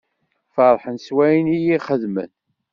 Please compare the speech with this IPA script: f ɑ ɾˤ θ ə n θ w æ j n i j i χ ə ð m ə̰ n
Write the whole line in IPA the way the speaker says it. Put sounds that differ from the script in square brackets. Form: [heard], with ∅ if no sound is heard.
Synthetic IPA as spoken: f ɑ ɾˤ [ħ] ə n [s] w æ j n i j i χ ə ð m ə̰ n